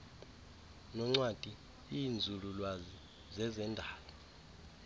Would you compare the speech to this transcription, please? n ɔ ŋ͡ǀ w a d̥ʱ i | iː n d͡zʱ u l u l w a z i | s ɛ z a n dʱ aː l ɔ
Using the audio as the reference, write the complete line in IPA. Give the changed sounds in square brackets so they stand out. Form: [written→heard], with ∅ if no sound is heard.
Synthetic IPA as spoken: n ɔ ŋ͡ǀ w a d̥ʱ i | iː n d͡zʱ u l u l w a z i | [s→z] ɛ z [a→ɛ] n dʱ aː l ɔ

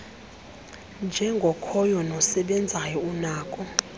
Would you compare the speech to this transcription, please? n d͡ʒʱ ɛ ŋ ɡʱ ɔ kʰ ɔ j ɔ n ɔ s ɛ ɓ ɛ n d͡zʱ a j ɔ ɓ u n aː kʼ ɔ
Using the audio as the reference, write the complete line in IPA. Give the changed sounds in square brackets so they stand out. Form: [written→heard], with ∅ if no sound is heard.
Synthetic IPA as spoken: n d͡ʒʱ ɛ ŋ ɡʱ ɔ kʰ ɔ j ɔ n ɔ s ɛ ɓ ɛ n d͡zʱ a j ɔ [ɓ→∅] u n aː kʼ ɔ

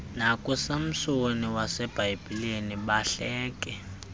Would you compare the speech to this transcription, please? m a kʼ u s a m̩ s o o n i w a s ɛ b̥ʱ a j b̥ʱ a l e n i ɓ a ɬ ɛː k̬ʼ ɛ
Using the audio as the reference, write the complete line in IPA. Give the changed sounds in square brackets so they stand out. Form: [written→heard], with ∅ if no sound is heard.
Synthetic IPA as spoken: [m→n] a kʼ u s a m̩ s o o n i w a s ɛ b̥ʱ a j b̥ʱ [a→i] l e n i ɓ a ɬ ɛː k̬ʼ ɛ

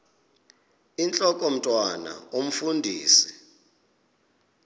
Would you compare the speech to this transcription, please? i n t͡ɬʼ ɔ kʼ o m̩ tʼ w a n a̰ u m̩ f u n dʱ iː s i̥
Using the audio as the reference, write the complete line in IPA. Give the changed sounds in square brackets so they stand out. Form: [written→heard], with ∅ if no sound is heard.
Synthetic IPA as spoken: i n t͡ɬʼ ɔ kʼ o m̩ tʼ w a n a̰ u m̩ f u n dʱ iː s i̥

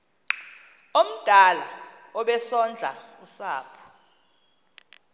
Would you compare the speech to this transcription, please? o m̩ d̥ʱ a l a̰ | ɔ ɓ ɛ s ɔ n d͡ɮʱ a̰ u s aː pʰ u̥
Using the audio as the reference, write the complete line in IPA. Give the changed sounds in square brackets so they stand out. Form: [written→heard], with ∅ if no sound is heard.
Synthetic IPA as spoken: o m̩ d̥ʱ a l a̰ | ɔ ɓ ɛ s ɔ n d͡ɮʱ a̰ u s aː pʰ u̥

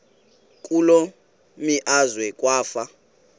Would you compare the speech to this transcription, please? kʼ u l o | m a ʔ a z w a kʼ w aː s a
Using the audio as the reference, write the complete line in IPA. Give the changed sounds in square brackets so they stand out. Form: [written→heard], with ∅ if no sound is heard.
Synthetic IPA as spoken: kʼ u l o | m [a→i] ʔ a z w [a→ɛ] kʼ w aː [s→f] a

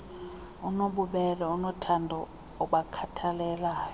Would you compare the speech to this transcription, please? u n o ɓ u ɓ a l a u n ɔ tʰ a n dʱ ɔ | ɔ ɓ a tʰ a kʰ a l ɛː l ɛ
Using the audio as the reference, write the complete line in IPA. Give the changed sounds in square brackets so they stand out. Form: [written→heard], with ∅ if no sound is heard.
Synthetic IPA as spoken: u n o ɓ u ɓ [a→ɛ] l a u n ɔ tʰ a n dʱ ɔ | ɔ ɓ a [tʰ→kʰ] a [kʰ→tʰ] a l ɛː l [ɛ→a]

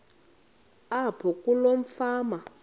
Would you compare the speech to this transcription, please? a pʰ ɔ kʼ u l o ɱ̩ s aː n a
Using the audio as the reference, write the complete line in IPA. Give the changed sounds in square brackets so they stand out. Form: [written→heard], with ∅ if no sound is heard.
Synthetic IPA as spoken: a pʰ ɔ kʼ u l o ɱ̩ [s→f] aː [n→m] a

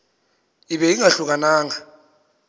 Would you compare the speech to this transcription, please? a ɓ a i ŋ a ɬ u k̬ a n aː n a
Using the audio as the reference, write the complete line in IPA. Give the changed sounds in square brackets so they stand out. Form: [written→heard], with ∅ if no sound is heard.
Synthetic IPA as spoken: [a→i] ɓ [a→ɛ] i ŋ a ɬ u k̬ a n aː [n→ŋ] a

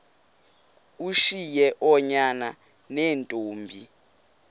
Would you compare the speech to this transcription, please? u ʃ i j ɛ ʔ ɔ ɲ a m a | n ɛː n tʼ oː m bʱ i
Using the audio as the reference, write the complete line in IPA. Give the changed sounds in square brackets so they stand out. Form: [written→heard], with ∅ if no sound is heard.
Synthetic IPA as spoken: u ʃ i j ɛ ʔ ɔ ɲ a [m→n] a | n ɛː n tʼ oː m bʱ i

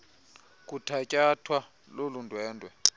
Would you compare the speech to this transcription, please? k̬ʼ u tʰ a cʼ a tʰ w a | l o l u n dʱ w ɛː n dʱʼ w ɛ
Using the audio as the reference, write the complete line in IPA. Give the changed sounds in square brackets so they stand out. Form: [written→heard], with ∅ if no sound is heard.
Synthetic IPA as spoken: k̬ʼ u tʰ a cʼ a tʰ w a | l o l u n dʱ w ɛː n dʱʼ w ɛ

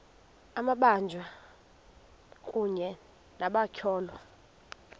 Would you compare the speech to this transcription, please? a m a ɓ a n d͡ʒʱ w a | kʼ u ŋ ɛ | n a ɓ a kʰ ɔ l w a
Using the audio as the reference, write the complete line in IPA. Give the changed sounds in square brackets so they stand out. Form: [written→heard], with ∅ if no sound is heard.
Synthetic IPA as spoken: a m a ɓ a n d͡ʒʱ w a | kʼ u [ŋ→ɲ] ɛ | n a ɓ a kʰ [ɔ→ɔː] l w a

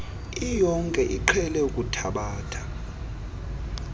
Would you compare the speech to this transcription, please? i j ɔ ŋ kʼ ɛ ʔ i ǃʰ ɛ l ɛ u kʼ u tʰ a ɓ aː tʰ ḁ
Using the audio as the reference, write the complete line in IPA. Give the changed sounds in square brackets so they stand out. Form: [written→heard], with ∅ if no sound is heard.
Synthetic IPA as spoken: i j ɔ ŋ kʼ ɛ ʔ i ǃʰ ɛ l ɛ u kʼ u tʰ a ɓ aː tʰ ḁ

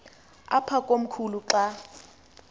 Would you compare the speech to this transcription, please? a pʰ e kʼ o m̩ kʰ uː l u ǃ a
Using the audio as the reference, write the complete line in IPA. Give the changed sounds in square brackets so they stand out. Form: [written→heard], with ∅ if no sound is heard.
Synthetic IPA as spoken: a pʰ [e→a] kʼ o m̩ kʰ [uː→u] l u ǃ a

